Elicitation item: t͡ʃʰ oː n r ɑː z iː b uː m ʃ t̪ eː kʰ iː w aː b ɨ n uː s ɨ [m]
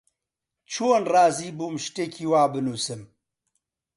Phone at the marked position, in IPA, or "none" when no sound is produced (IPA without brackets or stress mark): m